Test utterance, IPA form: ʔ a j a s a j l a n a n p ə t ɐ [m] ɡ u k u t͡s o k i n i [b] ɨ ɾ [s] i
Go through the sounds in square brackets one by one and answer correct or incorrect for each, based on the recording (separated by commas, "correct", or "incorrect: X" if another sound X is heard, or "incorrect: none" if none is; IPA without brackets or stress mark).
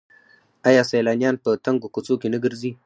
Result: incorrect: ŋ, incorrect: ɡ, incorrect: z